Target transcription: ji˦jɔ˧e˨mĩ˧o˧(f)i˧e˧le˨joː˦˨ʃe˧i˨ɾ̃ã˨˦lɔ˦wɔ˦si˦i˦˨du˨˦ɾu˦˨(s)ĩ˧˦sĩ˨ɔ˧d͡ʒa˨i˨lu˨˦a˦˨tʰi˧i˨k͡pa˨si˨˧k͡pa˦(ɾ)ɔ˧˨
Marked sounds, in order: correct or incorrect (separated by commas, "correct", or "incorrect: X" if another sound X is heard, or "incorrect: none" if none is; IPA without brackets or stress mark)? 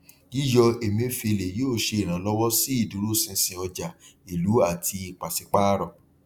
correct, correct, correct